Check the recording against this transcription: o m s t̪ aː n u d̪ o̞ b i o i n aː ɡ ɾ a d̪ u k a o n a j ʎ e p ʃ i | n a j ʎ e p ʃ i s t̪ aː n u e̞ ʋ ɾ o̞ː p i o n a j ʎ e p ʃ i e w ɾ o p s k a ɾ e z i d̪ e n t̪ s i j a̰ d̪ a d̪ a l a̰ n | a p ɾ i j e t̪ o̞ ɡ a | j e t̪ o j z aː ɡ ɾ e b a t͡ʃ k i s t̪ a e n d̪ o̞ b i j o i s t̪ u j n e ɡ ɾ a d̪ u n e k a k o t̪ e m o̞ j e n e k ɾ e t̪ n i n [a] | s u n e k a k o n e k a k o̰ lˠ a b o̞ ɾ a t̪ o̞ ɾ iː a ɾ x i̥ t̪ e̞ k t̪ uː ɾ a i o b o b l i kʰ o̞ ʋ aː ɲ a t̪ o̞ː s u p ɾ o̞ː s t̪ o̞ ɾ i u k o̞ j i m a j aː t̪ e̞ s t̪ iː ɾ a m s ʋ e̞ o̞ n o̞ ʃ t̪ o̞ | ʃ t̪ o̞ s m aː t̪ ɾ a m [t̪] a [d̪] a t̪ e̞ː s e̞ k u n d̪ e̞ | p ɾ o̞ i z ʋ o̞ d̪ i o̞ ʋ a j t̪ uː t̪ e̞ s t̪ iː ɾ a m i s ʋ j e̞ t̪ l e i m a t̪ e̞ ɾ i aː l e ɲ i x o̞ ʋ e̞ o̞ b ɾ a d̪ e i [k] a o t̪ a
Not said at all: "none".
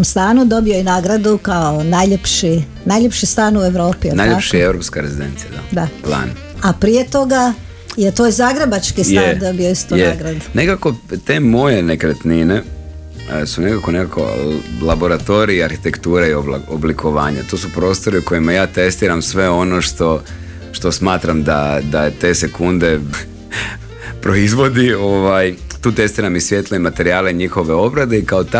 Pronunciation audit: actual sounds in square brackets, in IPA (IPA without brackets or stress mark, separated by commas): e, d̪, d̪, k